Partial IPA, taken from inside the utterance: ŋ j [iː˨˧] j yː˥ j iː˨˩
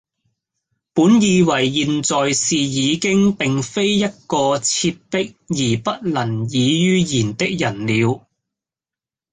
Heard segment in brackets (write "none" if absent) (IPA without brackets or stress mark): iː˨˧